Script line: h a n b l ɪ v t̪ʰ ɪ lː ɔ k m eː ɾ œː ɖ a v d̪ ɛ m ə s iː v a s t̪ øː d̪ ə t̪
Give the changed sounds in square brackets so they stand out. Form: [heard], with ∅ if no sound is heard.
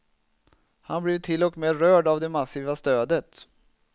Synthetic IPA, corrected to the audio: h a n b l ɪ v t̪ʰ ɪ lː ɔ k m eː ɾ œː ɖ a v d̪ ɛ m [a] s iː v a s t̪ øː d̪ ə t̪